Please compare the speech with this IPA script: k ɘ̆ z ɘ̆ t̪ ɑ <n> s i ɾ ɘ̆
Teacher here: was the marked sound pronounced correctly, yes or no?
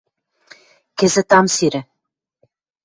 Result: no